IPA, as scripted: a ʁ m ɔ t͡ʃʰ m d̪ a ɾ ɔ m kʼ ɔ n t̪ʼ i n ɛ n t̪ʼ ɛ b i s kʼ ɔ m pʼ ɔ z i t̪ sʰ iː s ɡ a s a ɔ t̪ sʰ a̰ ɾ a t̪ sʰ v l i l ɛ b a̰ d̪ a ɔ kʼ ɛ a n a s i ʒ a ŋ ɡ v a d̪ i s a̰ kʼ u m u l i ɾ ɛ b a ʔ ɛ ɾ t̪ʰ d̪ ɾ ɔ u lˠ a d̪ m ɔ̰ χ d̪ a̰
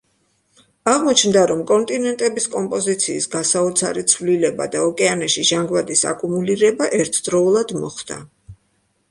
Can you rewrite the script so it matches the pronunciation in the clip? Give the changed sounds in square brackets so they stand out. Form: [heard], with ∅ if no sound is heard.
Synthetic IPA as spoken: a ʁ m ɔ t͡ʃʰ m d̪ a ɾ ɔ m kʼ ɔ n t̪ʼ i n ɛ n t̪ʼ ɛ b i s kʼ ɔ m pʼ ɔ z i t̪ sʰ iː s ɡ a s a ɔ t̪ sʰ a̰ ɾ [i] t̪ sʰ v l i l ɛ b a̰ d̪ a ɔ kʼ ɛ a n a [ʃ] i ʒ a ŋ ɡ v a d̪ i s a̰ kʼ u m u l i ɾ ɛ b a ʔ ɛ ɾ t̪ʰ d̪ ɾ ɔ u lˠ a d̪ m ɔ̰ χ d̪ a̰